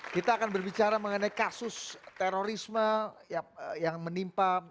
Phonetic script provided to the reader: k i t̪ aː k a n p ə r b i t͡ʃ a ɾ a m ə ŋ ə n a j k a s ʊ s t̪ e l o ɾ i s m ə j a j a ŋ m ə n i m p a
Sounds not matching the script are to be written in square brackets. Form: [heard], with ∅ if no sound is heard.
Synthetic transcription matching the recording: k i t̪ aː k a n [b] ə r b i t͡ʃ a ɾ a m ə ŋ ə n a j k a s ʊ s t̪ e [ɾ] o ɾ i s m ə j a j a ŋ m ə n i m p a